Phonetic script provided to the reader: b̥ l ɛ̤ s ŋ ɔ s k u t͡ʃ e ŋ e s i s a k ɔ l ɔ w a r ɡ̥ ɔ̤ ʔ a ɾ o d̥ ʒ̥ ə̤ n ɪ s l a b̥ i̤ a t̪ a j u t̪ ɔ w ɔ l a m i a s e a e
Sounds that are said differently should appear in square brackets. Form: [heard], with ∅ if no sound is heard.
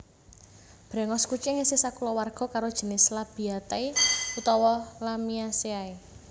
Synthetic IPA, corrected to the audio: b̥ [ɾ] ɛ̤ [∅] ŋ ɔ s k u t͡ʃ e ŋ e s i s a k [u] l ɔ w a r ɡ̥ ɔ̤ [k] a ɾ o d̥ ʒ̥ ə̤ n ɪ s l a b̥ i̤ a t̪ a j u t̪ ɔ w ɔ l a m i a s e a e